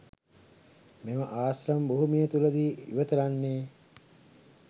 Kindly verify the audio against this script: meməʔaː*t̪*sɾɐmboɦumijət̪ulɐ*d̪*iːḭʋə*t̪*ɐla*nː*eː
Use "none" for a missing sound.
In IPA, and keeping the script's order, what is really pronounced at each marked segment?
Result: none, d̪, t̪, nː

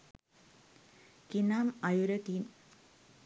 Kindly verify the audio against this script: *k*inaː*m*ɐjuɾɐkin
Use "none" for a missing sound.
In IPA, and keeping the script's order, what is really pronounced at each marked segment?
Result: k, m

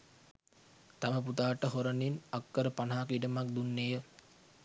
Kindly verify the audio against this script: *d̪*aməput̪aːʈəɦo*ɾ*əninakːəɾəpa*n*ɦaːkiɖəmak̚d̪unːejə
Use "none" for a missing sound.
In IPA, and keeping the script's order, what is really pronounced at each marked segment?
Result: t̪, ɾ, n

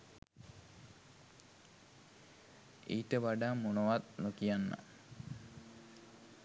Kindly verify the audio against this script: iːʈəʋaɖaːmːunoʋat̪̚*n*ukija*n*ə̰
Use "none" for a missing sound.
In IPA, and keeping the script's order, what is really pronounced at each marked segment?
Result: n, nː

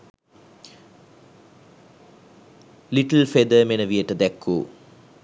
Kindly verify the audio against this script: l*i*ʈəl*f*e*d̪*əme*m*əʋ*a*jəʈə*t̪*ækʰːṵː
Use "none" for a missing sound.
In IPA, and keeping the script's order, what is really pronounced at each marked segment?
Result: i, f, d̪, n, i, d̪

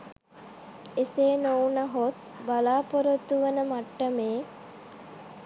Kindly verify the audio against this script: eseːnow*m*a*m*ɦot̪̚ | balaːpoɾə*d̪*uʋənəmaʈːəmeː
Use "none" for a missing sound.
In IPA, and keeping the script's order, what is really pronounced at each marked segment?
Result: n, none, t̪

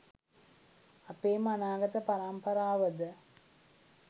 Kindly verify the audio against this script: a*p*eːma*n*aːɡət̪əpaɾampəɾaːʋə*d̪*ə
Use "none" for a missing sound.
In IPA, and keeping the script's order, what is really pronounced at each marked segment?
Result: p, n, d̪

